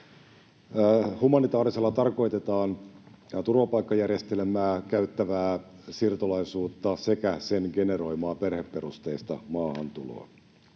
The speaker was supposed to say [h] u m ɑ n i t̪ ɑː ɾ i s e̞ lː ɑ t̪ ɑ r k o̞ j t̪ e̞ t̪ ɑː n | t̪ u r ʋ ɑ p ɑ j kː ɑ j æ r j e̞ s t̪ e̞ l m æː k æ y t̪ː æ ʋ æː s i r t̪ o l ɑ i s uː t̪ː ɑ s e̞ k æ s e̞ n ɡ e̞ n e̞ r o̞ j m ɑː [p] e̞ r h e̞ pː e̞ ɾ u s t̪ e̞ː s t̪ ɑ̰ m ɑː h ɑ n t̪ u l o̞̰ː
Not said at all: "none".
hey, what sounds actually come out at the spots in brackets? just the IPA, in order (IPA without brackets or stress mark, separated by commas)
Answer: h, p